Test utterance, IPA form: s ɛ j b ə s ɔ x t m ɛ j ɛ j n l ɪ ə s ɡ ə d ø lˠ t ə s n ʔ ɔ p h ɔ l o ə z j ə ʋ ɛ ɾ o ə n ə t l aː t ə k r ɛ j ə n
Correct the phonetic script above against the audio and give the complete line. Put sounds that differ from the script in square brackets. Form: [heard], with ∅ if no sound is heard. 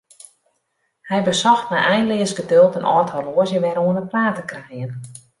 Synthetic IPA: [h] ɛ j b ə s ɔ x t m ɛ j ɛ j n l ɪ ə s ɡ ə d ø lˠ t ə [∅] n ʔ ɔ [t] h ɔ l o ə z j ə ʋ ɛ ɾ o ə n ə [p] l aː t ə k r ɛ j ə n